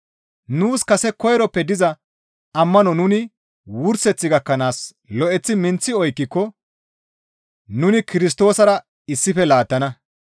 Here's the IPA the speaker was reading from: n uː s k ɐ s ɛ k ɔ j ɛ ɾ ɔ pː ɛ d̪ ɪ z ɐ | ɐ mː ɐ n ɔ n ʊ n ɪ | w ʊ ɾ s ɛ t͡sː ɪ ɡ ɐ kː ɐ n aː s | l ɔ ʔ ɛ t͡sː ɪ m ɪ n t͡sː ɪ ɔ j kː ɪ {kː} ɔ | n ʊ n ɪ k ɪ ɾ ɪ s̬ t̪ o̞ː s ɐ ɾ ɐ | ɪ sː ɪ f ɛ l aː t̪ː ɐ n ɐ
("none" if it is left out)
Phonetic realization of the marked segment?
kː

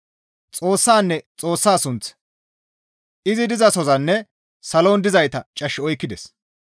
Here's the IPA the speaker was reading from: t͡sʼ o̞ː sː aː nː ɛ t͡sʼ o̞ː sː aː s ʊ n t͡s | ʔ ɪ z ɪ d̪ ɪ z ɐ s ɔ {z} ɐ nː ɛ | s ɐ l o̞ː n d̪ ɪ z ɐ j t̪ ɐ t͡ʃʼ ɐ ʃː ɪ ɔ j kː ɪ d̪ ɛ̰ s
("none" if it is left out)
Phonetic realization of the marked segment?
z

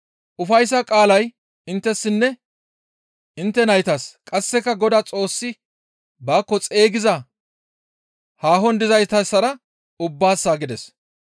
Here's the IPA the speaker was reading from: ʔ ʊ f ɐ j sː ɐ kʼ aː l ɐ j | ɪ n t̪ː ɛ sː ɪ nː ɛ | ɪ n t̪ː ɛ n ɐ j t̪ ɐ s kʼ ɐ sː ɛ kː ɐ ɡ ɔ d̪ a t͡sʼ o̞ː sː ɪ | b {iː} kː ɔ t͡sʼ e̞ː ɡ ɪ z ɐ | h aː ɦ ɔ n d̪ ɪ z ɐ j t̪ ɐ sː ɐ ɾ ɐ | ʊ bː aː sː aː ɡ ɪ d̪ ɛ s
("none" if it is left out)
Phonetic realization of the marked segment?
aː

